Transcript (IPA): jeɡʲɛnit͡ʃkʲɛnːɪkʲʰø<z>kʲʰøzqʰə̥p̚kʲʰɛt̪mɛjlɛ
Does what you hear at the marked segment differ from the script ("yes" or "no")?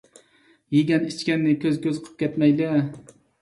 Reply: no